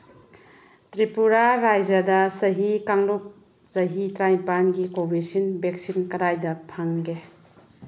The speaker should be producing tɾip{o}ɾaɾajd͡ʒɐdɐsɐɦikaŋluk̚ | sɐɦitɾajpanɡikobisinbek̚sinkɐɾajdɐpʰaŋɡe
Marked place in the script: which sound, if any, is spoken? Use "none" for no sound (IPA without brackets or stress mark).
u